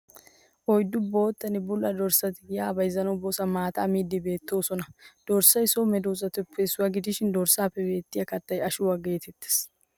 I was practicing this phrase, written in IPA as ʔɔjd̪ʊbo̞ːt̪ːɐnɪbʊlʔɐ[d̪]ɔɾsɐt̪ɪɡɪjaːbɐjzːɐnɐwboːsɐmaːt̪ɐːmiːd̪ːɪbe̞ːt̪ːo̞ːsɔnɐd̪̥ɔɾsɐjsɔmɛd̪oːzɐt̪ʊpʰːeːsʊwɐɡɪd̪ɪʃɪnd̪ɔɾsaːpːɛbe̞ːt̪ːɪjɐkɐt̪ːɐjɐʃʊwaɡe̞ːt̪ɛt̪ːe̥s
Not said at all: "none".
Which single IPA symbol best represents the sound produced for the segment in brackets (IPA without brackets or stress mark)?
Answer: d̪